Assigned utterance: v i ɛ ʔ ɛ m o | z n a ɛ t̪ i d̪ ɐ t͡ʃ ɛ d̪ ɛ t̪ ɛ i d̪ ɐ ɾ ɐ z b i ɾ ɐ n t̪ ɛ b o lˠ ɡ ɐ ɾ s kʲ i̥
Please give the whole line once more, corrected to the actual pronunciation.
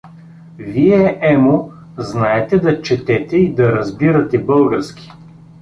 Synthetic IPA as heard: v i ɛ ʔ ɛ m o | z n a ɛ t̪ ɛ d̪ ɐ t͡ʃ ɛ t̪ ɛ t̪ ɛ i d̪ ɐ ɾ ɐ z b i ɾ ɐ t̪ ɛ b ɤ lˠ ɡ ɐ ɾ s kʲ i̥